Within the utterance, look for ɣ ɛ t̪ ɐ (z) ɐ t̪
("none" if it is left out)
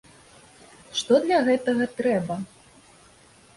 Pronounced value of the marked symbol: ɣ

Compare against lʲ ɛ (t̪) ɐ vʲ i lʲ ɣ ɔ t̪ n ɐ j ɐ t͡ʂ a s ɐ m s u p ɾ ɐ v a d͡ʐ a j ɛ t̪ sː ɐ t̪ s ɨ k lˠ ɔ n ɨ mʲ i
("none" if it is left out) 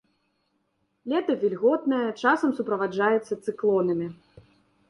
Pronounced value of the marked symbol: t̪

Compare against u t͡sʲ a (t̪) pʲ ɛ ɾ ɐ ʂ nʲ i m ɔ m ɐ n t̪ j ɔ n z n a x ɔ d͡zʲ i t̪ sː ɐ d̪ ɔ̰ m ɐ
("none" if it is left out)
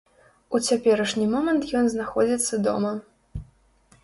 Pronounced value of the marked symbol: none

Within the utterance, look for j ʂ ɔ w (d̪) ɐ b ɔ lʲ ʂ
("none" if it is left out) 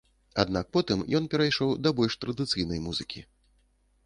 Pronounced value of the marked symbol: d̪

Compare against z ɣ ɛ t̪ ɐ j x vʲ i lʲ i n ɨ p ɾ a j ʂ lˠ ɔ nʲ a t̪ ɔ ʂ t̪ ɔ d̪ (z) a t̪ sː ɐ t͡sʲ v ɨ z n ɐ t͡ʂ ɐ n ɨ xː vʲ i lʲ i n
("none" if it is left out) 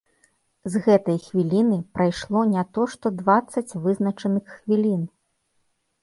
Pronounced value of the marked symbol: v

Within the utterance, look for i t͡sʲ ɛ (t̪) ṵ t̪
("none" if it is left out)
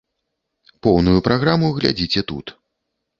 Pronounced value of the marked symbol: t̪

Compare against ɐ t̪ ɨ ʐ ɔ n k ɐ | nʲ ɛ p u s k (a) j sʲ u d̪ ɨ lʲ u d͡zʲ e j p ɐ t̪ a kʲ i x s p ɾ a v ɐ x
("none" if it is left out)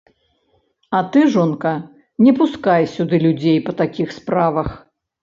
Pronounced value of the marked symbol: a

